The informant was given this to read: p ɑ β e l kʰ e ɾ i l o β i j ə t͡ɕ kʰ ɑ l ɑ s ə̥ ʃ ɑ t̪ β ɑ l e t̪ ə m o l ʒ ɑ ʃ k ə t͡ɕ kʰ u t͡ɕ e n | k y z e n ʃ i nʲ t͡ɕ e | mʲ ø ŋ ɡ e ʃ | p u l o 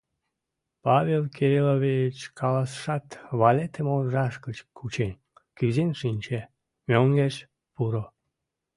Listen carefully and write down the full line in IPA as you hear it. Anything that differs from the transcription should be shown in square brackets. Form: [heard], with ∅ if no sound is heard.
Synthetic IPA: p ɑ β e l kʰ e ɾ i l o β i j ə t͡ɕ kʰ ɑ l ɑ s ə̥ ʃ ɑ t̪ β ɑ l e t̪ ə m o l ʒ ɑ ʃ k ə t͡ɕ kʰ u t͡ɕ e n | k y z e n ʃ i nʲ t͡ɕ e | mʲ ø ŋ ɡ e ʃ | p u [ɾ] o